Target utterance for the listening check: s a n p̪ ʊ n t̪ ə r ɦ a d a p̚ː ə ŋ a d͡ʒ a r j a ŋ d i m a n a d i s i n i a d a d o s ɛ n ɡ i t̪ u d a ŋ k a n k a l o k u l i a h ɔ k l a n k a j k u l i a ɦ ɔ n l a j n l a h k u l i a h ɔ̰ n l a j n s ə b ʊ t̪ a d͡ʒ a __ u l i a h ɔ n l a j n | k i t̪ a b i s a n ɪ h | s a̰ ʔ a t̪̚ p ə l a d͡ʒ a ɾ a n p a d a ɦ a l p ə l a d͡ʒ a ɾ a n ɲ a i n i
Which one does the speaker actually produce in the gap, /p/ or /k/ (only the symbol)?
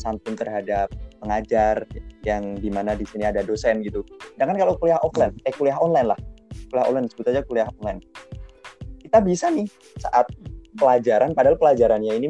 k